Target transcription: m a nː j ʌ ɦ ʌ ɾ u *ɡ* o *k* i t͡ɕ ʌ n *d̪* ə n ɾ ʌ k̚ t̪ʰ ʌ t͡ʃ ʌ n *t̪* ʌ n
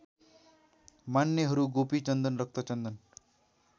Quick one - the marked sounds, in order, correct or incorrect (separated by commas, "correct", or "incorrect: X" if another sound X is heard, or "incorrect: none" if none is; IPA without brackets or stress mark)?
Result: correct, incorrect: p, correct, incorrect: d̪